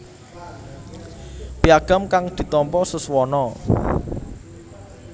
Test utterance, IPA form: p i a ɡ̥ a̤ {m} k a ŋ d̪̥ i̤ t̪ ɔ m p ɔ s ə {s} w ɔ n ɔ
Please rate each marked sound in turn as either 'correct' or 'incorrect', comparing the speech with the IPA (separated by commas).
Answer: correct, correct